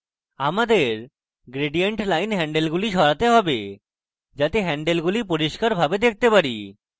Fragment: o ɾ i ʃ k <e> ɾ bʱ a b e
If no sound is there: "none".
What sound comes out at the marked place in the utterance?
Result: a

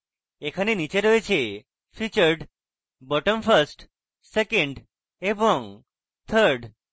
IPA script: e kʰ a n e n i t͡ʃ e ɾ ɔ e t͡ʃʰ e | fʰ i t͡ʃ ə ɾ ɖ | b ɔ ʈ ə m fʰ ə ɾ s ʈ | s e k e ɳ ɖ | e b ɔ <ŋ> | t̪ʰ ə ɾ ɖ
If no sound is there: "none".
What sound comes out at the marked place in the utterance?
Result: ŋ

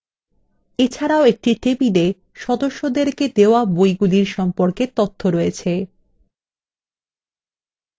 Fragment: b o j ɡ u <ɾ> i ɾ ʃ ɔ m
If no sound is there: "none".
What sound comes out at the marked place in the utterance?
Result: l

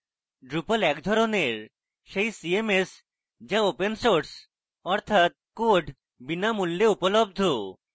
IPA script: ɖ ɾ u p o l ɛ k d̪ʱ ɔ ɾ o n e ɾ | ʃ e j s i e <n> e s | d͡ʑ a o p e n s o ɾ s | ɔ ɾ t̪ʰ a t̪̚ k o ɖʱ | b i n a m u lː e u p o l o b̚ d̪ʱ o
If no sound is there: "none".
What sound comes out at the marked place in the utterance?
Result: m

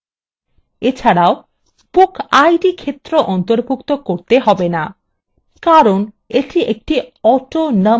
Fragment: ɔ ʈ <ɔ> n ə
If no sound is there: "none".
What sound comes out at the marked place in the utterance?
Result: o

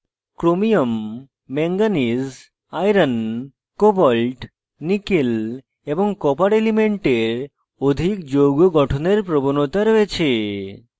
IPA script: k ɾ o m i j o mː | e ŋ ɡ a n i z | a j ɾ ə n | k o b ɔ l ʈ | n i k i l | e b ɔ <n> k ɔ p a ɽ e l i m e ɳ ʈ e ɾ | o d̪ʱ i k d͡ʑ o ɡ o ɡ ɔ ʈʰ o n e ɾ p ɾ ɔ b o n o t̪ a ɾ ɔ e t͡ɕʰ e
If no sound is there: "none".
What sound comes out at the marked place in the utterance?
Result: ŋ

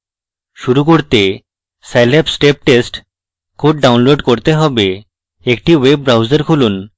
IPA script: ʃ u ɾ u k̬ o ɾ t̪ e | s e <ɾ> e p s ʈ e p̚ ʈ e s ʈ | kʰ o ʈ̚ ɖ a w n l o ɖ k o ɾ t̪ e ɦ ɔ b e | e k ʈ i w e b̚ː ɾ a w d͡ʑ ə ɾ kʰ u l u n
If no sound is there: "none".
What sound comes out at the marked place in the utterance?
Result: l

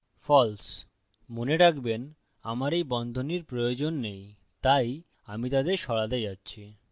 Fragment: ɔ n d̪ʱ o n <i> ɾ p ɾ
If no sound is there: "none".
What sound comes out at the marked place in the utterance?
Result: i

